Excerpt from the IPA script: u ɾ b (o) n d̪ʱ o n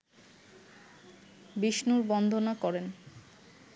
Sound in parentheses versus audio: incorrect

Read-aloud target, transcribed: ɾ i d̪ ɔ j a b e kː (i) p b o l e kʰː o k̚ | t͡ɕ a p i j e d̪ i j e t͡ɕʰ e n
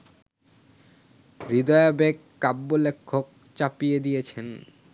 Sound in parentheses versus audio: incorrect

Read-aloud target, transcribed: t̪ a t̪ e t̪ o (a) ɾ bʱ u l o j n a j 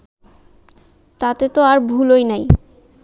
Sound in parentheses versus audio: correct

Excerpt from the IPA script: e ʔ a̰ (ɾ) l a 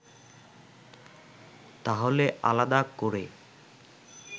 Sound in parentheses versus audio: incorrect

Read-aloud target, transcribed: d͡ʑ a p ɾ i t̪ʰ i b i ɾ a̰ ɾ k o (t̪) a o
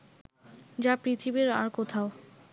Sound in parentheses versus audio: incorrect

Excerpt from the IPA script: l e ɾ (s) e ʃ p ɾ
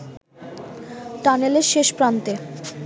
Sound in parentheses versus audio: incorrect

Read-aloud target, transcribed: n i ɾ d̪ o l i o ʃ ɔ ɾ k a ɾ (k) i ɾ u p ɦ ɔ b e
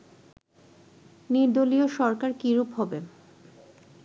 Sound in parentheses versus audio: correct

